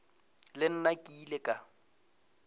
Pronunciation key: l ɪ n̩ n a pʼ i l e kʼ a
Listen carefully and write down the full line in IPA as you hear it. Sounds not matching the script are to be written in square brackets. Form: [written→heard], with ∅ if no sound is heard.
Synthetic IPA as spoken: l ɪ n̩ n a [pʼ→kʼ] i l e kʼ a